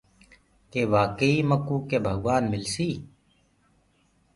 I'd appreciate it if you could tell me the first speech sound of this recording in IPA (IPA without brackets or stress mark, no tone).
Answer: k